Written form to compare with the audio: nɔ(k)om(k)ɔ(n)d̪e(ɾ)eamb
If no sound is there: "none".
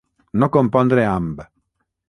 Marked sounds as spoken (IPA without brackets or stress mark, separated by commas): k, p, n, ɾ